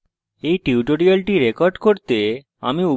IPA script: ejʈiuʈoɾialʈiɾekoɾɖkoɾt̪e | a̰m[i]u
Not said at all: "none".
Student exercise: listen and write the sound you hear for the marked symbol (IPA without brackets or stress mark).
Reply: i